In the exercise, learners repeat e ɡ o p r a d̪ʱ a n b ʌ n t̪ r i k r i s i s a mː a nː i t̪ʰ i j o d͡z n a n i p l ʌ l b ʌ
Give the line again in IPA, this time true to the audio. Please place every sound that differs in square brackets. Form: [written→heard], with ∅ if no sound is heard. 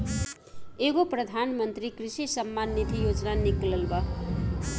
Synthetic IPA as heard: e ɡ o p r [a→ʌ] d̪ʱ a n [b→m] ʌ n t̪ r i k r i s i s [a→ʌ] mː a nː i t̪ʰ i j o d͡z n a n i [p→k] l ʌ l b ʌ